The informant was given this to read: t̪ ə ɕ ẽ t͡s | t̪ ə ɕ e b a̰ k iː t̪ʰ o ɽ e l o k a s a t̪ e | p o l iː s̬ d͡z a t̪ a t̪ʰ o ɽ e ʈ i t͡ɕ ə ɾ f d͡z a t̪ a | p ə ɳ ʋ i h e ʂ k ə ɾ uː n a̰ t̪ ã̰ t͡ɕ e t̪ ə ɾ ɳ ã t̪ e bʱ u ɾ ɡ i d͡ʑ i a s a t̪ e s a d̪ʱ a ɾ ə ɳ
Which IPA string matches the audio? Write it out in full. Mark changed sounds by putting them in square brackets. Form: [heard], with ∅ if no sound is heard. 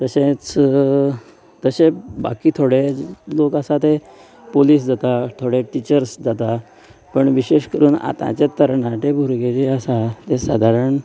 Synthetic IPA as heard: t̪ ə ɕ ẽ t͡s | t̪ ə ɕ e b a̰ k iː t̪ʰ o ɽ e l o k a s a t̪ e | p o l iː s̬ d͡z a t̪ a t̪ʰ o ɽ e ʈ i t͡ɕ ə ɾ [s] d͡z a t̪ a | p ə ɳ ʋ i [ɕ] e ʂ k ə ɾ uː n a̰ t̪ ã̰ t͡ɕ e t̪ ə ɾ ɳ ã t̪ e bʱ u ɾ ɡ [e] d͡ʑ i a s a t̪ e s a d̪ʱ a ɾ ə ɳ